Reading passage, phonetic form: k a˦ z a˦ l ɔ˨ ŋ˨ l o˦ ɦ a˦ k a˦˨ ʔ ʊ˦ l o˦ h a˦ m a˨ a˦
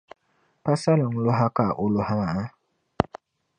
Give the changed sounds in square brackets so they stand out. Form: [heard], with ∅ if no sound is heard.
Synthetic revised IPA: [p] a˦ [s] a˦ l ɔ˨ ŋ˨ l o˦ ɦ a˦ k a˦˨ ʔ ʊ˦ l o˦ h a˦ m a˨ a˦